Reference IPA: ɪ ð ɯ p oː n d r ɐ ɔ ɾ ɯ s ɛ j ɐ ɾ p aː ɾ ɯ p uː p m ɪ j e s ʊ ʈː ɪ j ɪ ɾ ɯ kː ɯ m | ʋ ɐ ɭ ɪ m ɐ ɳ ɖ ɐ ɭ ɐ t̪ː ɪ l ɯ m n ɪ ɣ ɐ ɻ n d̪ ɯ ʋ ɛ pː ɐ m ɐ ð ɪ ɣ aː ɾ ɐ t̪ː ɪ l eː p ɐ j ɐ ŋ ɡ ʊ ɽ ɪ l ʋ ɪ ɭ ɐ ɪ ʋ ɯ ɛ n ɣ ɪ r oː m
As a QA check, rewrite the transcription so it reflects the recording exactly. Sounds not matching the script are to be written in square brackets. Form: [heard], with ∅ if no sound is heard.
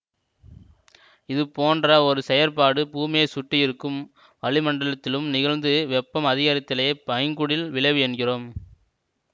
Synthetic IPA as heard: ɪ ð ɯ p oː n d r ɐ ɔ ɾ ɯ s ɛ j ɐ ɾ p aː [ɽ] ɯ p uː [∅] m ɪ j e s ʊ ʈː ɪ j ɪ ɾ ɯ kː ɯ m | ʋ ɐ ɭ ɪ m ɐ ɳ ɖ ɐ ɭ ɐ t̪ː ɪ l ɯ m n ɪ ɣ ɐ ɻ n d̪ ɯ ʋ ɛ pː ɐ m ɐ ð ɪ ɣ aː ɾ ɐ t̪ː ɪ l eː p ɐ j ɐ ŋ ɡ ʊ ɽ ɪ l ʋ ɪ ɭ ɐ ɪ ʋ ɯ ɛ n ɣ ɪ r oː m